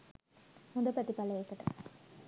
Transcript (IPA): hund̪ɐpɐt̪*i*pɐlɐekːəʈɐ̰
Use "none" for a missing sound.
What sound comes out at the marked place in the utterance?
i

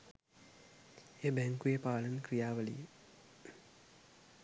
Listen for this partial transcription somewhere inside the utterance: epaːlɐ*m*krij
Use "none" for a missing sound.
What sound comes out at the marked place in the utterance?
n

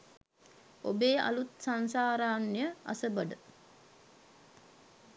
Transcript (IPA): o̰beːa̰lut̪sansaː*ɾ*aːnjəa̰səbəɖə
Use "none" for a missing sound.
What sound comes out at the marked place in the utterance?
ɾ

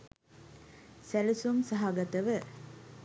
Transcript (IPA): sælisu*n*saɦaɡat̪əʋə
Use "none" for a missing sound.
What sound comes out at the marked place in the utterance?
m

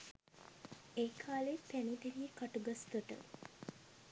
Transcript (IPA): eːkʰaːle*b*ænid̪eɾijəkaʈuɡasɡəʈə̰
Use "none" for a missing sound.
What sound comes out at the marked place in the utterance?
p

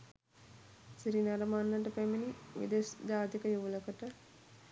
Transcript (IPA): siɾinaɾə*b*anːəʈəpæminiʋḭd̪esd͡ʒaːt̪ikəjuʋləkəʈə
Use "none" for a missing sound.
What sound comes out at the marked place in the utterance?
m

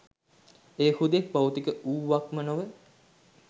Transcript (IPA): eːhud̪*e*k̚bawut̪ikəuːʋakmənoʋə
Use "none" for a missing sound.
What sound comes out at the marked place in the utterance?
e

